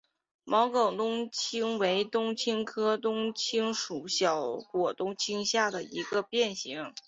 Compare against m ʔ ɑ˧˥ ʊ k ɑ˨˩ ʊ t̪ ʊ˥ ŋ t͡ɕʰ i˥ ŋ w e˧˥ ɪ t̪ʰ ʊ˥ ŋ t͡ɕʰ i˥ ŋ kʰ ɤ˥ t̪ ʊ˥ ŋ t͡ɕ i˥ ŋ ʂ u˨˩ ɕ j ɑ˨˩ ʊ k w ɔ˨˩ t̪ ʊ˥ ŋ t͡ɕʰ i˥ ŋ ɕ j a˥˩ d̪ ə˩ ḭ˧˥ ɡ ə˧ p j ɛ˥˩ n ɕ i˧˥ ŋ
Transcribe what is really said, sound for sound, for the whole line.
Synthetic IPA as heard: m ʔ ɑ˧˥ ʊ k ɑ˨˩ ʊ t̪ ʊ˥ ŋ t͡ɕʰ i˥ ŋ w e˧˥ ɪ t̪ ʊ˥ ŋ t͡ɕʰ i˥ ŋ kʰ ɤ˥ t̪ ʊ˥ ŋ t͡ɕʰ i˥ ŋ ʂ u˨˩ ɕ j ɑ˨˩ ʊ k w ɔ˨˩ t̪ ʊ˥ ŋ t͡ɕʰ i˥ ŋ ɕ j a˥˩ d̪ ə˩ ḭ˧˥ ɡ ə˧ p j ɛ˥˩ n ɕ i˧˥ ŋ

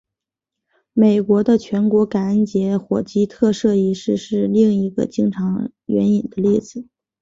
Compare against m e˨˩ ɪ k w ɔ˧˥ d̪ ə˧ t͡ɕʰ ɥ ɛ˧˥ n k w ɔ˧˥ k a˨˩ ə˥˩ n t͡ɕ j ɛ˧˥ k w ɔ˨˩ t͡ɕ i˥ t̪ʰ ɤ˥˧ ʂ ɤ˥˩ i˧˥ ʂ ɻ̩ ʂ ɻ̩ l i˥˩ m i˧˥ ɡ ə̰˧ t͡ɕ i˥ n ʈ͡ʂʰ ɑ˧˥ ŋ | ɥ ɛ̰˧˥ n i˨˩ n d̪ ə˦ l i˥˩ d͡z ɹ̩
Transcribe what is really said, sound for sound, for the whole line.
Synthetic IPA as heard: m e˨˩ ɪ k w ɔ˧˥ d̪ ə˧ t͡ɕʰ ɥ ɛ˧˥ n k w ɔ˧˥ k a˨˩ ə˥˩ n t͡ɕ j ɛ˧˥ x w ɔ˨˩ t͡ɕ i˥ t̪ʰ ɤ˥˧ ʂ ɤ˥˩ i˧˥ ʂ ɻ̩ ʂ ɻ̩ l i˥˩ ŋ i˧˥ ɡ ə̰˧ t͡ɕ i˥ ŋ ʈ͡ʂʰ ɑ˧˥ ŋ | ɥ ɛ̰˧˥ n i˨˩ n d̪ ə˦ l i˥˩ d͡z ɹ̩

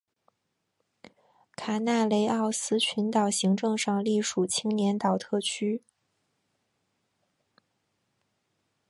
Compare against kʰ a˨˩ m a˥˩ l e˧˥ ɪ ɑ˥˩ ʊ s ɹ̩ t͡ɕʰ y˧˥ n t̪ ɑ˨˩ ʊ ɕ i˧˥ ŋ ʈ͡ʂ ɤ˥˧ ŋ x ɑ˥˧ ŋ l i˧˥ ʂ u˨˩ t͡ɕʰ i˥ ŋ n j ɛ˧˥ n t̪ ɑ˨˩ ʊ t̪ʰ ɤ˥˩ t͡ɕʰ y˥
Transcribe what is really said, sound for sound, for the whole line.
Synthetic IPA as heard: kʰ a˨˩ n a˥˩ l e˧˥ ɪ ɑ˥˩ ʊ s ɹ̩ t͡ɕʰ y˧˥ n t̪ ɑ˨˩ ʊ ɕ i˧˥ ŋ ʈ͡ʂ ɤ˥˧ ŋ ʂ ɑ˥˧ ŋ l i˥˩ ʂ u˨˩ t͡ɕʰ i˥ ŋ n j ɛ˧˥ n t̪ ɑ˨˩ ʊ t̪ʰ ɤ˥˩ t͡ɕʰ y˥

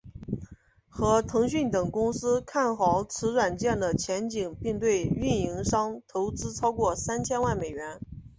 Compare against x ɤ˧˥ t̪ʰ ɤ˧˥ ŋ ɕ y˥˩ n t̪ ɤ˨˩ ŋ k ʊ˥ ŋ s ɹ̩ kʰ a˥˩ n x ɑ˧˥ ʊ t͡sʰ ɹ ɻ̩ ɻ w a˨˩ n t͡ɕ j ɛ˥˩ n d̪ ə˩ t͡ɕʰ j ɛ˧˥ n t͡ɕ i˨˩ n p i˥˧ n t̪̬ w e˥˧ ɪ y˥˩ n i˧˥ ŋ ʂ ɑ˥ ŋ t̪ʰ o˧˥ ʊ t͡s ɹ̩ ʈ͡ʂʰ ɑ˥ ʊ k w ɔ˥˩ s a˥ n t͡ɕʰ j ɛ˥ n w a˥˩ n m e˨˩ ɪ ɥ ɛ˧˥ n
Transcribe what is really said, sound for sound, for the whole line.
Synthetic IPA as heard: x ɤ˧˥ t̪ʰ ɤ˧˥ ŋ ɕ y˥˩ n t̪ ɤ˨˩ ŋ k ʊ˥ ŋ s ɹ̩ kʰ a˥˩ n x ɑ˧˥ ʊ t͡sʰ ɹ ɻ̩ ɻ w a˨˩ n t͡ɕ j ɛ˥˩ n d̪ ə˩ t͡ɕʰ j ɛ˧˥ n t͡ɕ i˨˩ ŋ p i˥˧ ŋ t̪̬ w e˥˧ ɪ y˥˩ n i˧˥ ŋ ʂ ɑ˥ ŋ t̪ʰ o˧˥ ʊ t͡s ɹ̩ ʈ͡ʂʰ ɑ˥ ʊ k w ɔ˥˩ s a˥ n t͡ɕʰ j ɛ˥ n w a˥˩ n m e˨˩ ɪ ɥ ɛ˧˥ n

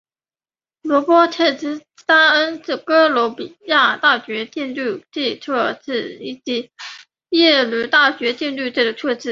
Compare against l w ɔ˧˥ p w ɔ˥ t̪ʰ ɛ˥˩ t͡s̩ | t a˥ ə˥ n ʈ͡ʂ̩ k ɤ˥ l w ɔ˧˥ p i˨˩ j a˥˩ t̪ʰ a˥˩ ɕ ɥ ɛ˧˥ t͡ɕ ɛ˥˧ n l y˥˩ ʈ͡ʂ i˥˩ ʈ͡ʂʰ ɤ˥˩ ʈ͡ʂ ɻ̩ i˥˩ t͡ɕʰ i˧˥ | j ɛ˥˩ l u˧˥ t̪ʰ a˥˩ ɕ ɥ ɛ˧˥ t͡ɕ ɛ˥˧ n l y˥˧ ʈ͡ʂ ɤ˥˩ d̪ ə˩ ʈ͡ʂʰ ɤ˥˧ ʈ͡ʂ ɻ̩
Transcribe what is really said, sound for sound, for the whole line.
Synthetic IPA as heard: l w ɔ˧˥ p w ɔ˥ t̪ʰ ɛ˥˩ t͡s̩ | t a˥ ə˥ n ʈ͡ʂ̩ k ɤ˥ l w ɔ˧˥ p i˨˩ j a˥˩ t̪ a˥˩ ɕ ɥ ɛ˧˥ t͡ɕ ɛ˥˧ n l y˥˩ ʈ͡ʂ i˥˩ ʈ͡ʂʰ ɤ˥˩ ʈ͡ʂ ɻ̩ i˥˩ t͡ɕ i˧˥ | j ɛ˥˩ l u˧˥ t̪ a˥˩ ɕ ɥ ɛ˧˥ t͡ɕ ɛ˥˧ n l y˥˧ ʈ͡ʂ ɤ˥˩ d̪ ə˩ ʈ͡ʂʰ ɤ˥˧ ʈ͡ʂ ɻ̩

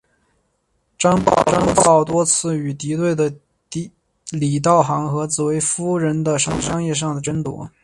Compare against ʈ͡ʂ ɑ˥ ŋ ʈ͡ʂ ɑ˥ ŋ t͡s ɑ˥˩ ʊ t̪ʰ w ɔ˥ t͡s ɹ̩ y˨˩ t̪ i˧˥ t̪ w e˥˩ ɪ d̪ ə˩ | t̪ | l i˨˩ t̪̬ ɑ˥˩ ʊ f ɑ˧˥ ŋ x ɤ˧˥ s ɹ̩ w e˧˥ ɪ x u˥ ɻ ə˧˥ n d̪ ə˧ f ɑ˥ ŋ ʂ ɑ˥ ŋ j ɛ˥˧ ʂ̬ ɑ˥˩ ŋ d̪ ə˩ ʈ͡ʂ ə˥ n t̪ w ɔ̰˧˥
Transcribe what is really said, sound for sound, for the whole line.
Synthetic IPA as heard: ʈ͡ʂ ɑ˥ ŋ ʈ͡ʂ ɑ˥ ŋ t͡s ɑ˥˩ ʊ t̪ w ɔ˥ t͡sʰ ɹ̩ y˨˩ t̪ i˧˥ t̪ w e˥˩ ɪ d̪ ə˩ | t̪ | l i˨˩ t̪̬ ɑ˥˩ ʊ x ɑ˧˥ ŋ x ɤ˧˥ t͡s ɹ̩ w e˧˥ ɪ f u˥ ɻ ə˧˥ n d̪ ə˧ ʂ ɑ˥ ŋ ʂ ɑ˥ ŋ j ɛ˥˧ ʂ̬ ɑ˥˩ ŋ d̪ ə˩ ʈ͡ʂ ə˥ n t̪ w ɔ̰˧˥

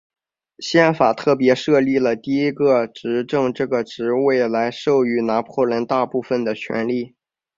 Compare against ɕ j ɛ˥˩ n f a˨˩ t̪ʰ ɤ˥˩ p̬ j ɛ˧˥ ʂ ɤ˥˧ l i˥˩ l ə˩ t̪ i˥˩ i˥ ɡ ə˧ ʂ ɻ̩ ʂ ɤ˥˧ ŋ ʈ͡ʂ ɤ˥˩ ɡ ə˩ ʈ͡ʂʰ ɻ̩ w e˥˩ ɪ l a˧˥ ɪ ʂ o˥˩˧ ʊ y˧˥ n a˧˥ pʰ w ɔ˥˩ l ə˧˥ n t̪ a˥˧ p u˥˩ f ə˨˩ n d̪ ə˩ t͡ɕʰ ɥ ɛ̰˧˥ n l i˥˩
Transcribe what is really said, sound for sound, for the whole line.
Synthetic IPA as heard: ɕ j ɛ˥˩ n f a˨˩ t̪ʰ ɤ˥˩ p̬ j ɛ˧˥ ʂ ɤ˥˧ l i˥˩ l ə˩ t̪ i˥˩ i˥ ɡ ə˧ ʈ͡ʂ ɻ̩ ʈ͡ʂ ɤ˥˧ ŋ ʈ͡ʂ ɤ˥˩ ɡ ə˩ ʈ͡ʂ ɻ̩ w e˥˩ ɪ l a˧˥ ɪ ʂ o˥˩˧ ʊ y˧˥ n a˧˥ pʰ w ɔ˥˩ l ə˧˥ n t̪ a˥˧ p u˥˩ f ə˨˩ n d̪ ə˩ t͡ɕʰ ɥ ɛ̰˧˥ n l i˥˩

